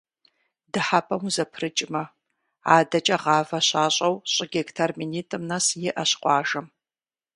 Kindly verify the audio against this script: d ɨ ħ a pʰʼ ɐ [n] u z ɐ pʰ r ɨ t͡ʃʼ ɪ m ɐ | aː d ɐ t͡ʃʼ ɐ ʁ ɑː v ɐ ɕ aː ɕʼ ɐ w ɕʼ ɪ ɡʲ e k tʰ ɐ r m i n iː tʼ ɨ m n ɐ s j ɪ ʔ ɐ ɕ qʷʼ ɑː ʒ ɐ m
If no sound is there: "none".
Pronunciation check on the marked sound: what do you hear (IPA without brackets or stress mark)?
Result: m